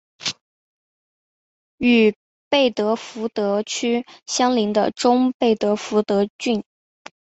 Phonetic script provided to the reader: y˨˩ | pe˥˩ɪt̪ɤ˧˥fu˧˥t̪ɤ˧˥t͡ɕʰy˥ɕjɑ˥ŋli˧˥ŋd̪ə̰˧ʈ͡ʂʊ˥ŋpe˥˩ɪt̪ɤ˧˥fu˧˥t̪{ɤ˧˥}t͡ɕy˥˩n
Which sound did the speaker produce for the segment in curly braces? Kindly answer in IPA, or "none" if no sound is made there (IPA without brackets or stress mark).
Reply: ɤ˧˥